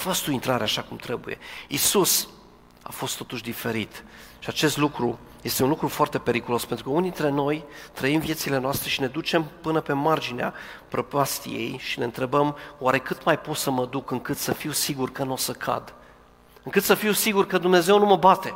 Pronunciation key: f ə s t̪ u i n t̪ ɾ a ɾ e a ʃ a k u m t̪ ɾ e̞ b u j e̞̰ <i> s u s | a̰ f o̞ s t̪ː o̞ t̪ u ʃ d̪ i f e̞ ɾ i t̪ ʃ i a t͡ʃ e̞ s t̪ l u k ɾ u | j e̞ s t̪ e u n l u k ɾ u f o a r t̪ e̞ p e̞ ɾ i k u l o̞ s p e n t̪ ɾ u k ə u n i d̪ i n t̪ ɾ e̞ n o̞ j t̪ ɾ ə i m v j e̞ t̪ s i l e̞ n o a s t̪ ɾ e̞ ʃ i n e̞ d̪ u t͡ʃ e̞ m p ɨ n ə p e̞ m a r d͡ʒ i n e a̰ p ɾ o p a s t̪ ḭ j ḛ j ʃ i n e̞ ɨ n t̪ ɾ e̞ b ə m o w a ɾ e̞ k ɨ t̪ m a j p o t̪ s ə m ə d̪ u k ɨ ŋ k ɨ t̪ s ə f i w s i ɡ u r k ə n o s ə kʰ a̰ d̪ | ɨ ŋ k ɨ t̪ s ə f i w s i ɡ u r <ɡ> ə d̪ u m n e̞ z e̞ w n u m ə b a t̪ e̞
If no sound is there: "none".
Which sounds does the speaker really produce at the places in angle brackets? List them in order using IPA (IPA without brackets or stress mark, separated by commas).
i, k